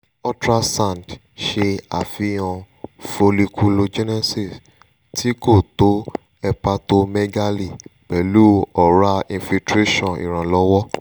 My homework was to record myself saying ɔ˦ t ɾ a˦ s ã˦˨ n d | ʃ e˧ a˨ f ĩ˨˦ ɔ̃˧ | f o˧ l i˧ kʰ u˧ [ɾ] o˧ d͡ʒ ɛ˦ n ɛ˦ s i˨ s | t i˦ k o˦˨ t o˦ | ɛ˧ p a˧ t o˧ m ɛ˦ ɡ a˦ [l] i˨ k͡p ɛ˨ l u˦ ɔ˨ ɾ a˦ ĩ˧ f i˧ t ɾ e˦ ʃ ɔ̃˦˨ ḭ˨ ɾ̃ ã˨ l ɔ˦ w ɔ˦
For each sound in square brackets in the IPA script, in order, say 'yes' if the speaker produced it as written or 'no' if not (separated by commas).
no, yes